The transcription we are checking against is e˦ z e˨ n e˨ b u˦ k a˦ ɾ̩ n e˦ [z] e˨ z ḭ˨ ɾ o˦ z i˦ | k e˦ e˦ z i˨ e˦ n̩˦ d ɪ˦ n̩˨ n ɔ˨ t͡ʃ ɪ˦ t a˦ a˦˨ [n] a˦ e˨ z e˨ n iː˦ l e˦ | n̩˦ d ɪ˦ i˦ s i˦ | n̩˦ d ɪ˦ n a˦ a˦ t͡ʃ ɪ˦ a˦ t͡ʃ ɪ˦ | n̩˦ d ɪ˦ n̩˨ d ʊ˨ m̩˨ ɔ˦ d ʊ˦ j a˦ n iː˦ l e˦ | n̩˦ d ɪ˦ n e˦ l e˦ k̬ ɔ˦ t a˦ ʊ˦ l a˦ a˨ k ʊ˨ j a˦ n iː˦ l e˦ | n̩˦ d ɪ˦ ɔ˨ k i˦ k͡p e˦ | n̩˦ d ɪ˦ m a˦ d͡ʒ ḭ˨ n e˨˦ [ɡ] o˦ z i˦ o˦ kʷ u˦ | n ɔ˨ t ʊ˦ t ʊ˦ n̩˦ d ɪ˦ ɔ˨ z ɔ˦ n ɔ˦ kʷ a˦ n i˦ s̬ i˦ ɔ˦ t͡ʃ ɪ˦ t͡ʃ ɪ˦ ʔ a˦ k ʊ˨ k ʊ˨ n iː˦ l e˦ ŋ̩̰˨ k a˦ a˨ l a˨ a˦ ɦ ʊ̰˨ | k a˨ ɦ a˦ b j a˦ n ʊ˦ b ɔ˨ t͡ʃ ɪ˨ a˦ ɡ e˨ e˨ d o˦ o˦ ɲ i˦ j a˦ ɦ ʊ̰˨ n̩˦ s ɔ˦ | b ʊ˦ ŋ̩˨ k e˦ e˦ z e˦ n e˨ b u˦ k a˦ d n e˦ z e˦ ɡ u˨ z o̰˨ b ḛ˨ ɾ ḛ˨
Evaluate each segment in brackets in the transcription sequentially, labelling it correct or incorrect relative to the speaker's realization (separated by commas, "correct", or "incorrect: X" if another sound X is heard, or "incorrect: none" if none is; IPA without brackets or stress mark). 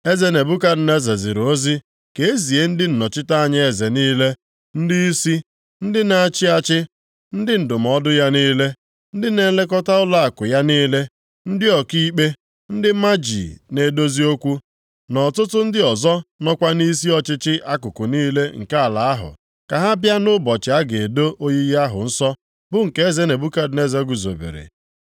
correct, incorrect: ɲ, incorrect: d